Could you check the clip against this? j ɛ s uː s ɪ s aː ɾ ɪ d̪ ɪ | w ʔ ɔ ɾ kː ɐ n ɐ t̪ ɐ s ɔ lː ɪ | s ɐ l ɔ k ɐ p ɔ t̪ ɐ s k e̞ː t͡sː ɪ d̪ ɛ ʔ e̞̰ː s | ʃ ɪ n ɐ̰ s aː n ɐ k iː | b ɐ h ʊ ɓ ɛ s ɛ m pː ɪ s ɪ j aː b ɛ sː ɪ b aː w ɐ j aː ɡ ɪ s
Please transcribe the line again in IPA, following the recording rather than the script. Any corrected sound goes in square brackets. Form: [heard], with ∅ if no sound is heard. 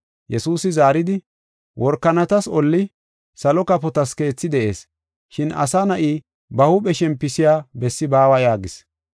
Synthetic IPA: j ɛ s uː s ɪ [z] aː ɾ ɪ d̪ ɪ | w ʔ ɔ ɾ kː ɐ n ɐ t̪ ɐ s ɔ lː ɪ | s ɐ l ɔ k ɐ p ɔ t̪ ɐ s k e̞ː t͡sː ɪ d̪ ɛ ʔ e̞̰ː s | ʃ ɪ n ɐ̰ s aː n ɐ [ʔ] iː | b ɐ h ʊ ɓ ɛ [ʃ] ɛ m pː ɪ s ɪ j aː b ɛ sː ɪ b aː w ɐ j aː ɡ ɪ s